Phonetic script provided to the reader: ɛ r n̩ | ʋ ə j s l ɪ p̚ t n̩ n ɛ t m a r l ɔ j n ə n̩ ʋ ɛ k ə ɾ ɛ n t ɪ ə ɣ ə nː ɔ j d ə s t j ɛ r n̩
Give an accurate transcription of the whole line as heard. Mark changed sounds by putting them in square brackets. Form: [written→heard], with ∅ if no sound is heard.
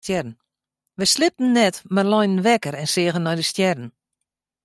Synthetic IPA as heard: ɛ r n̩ | ʋ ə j s l ɪ p̚ t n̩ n ɛ t m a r l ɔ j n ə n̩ ʋ ɛ k ə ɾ ɛ n [t→s] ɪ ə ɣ ə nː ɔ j d ə s t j ɛ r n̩